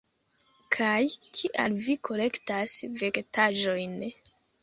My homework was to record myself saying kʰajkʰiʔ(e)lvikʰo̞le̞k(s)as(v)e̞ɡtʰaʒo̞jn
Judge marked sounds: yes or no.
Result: no, no, yes

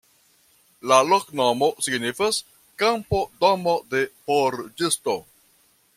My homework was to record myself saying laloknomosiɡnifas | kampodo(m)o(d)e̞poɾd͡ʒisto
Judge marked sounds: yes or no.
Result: yes, yes

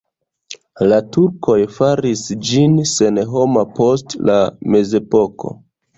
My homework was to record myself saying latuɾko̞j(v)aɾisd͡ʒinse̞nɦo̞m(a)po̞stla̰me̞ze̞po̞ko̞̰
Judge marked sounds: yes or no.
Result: no, yes

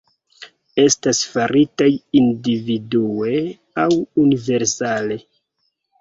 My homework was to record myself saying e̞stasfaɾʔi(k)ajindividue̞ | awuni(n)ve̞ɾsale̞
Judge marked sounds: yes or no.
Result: no, no

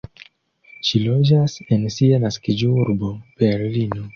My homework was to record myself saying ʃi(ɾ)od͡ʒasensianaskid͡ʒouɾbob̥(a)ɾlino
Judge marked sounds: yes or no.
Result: no, no

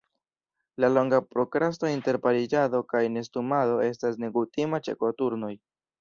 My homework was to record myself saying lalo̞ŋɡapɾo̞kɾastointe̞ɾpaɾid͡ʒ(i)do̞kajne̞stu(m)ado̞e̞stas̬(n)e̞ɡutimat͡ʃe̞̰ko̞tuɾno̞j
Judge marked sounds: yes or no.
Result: no, yes, yes

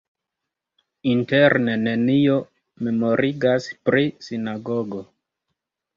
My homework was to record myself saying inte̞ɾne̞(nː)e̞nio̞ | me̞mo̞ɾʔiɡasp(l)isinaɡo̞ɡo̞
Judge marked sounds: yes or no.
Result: no, no

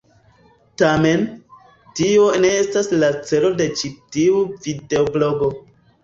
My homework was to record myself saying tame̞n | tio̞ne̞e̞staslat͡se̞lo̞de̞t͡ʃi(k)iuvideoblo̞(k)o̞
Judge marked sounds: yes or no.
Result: no, no

